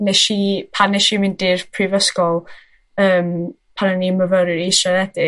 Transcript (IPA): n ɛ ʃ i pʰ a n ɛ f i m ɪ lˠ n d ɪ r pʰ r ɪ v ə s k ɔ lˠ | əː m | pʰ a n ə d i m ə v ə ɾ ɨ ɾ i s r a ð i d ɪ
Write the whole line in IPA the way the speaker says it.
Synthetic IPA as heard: n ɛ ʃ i pʰ a n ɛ ʃ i m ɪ n d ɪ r pʰ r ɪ v ə s k ɔ lˠ | əː m | pʰ a n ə n i m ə v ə ɾ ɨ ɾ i s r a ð ɛ d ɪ